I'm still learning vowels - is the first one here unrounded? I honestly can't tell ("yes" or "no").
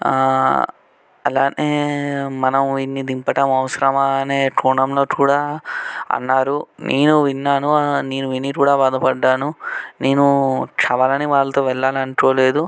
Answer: yes